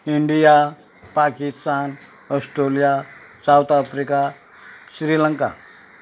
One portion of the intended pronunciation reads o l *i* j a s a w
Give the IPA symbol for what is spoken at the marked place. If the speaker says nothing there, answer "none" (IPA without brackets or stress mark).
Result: i